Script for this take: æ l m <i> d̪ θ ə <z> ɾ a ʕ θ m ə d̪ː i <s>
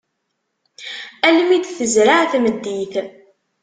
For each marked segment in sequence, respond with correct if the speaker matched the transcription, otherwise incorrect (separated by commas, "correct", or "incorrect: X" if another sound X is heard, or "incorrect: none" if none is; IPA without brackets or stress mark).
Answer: correct, correct, incorrect: θ